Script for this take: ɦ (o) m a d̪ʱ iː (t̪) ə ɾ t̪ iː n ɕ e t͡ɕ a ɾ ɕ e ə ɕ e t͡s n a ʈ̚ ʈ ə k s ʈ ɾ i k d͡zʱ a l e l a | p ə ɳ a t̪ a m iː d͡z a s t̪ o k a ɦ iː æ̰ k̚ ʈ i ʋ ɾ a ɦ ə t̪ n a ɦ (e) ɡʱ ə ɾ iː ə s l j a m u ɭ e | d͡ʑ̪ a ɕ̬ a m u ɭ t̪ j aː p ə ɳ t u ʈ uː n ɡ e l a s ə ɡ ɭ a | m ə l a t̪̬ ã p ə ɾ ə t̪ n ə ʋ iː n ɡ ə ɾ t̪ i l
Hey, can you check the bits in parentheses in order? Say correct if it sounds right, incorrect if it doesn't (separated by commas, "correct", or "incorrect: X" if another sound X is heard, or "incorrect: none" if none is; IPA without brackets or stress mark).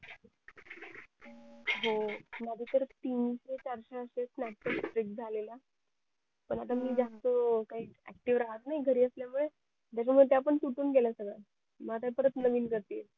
correct, correct, incorrect: i